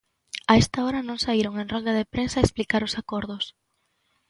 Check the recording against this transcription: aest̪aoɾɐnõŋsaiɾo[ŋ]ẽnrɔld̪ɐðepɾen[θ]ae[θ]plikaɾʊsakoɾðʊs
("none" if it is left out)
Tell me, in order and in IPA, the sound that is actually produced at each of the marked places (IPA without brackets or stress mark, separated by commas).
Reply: ŋ, s, s